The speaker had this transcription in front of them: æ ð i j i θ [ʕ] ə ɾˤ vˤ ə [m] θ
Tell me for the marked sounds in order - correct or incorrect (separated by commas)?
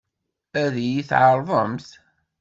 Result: correct, correct